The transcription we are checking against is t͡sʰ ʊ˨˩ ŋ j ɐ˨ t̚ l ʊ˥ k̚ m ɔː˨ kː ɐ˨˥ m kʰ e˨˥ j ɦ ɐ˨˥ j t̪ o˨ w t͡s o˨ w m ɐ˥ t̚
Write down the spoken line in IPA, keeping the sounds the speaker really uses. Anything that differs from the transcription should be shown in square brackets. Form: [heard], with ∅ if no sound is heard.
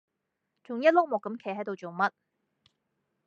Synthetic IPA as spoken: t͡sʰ ʊ˨˩ ŋ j [ɐ˥] t̚ l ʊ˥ k̚ m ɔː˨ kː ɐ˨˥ m kʰ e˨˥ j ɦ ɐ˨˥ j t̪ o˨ w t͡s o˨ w m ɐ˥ t̚